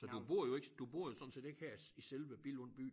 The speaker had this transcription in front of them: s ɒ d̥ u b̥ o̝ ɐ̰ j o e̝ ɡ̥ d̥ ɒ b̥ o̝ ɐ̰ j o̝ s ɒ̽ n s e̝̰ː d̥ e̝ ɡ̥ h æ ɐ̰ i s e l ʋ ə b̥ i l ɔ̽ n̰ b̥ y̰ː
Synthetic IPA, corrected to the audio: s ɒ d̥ u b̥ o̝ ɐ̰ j o e̝ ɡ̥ d̥ u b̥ o̝ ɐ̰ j o̝ s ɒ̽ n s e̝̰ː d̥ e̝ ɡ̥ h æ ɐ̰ i s e l ʋ ə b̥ i l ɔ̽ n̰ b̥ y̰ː